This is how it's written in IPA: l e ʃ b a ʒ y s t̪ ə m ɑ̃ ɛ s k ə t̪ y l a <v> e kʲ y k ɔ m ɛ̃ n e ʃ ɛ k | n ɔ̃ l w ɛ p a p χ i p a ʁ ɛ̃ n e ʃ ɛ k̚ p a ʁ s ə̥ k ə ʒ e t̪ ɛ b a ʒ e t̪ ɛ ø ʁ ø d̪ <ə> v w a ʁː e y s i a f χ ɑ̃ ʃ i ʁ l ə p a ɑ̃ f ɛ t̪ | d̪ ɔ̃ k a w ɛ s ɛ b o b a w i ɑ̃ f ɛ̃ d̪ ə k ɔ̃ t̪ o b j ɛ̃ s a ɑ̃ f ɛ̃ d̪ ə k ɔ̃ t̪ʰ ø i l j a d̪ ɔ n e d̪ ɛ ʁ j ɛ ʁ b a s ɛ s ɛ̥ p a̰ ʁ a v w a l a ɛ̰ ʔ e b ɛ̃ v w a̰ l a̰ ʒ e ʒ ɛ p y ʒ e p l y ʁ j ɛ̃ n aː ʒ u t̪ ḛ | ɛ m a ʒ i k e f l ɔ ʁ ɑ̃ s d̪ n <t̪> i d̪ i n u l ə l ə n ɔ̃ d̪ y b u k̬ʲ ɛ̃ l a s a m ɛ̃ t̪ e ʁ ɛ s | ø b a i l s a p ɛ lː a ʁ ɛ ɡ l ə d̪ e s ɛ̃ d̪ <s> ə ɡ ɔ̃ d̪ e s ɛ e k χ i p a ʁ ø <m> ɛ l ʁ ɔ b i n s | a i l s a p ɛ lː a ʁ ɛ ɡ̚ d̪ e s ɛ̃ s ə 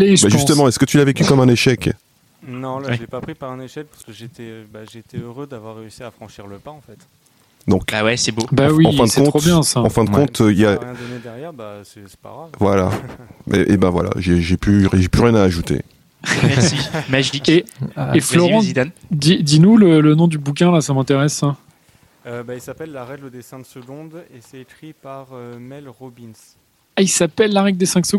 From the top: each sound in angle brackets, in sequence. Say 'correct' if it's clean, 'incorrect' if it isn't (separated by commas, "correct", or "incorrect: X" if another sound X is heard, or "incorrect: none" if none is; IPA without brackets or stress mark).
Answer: correct, incorrect: a, incorrect: d̪, correct, correct